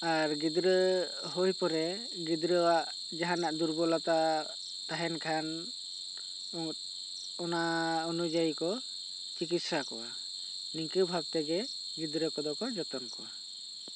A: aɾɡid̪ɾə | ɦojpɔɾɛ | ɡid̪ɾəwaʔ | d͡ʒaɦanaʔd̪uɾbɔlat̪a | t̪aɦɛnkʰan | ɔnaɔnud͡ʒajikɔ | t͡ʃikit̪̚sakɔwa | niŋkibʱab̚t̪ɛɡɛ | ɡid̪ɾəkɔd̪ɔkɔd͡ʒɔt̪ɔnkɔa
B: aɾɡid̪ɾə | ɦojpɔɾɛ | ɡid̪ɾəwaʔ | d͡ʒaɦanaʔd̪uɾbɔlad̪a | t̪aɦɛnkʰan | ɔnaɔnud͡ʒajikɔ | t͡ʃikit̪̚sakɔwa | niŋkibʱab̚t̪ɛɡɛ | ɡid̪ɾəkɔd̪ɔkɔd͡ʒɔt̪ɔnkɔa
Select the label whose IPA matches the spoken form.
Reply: A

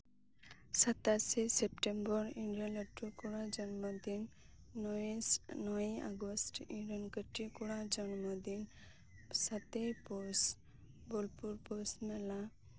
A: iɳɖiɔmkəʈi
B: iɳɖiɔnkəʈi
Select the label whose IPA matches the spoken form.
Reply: B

